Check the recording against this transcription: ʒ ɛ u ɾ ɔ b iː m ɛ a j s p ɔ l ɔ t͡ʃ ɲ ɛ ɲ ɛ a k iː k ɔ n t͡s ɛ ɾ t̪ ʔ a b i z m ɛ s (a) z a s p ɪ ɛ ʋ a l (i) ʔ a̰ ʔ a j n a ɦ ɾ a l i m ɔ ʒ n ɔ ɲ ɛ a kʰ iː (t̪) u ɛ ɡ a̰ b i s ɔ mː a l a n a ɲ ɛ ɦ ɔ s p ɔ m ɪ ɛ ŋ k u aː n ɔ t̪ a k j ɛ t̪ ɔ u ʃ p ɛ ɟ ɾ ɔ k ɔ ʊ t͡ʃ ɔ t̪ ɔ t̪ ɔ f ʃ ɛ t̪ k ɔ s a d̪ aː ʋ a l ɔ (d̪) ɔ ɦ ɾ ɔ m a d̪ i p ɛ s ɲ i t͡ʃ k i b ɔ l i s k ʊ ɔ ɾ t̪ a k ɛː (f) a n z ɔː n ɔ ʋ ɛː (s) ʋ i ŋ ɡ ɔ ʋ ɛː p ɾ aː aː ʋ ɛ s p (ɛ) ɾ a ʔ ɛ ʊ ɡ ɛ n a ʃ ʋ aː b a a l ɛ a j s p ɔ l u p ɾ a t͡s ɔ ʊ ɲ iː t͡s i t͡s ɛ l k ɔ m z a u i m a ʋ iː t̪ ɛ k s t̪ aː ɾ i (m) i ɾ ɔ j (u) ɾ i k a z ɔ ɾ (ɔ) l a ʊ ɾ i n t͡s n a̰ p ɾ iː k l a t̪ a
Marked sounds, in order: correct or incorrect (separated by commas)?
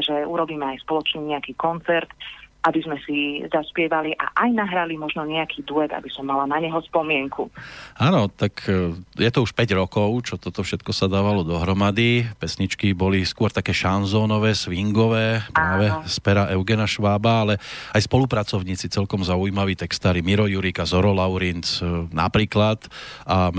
incorrect, correct, incorrect, correct, incorrect, correct, correct, correct, correct, correct